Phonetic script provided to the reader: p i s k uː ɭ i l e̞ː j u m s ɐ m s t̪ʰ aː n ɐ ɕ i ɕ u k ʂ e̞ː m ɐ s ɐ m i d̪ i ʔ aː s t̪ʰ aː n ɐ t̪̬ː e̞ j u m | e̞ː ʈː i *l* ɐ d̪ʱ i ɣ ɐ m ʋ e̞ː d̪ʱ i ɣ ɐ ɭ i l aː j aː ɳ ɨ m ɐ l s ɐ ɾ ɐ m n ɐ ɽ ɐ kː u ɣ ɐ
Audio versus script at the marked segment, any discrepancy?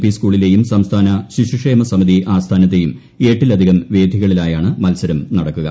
no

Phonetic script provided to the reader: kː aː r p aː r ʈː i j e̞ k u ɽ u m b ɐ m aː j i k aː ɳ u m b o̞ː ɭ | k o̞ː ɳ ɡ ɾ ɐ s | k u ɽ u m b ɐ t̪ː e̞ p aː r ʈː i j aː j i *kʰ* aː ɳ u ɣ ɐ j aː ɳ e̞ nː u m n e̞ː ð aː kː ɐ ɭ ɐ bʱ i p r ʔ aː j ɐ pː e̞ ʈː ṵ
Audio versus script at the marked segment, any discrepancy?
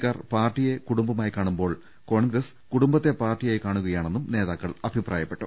yes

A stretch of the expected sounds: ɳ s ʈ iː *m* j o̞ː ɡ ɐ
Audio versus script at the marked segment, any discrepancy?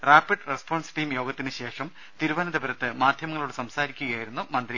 no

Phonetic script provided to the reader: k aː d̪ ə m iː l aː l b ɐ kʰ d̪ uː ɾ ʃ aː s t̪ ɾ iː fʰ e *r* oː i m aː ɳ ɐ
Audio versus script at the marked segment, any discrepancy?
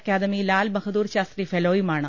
yes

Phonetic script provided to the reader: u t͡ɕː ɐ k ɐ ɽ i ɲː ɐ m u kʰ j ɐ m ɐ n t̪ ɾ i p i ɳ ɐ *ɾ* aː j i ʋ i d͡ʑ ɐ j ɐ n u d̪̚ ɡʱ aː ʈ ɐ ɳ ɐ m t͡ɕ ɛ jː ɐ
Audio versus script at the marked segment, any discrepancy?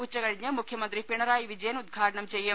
no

